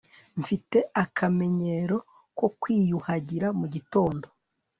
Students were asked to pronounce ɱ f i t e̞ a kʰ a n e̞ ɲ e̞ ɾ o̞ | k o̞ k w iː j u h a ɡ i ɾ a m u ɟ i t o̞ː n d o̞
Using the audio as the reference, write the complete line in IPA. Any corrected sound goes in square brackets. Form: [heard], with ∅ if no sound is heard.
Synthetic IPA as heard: ɱ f i t e̞ a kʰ a [m] e̞ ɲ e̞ ɾ o̞ | k o̞ k w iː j u h a [ɟ] i ɾ a m u ɟ i t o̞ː n d o̞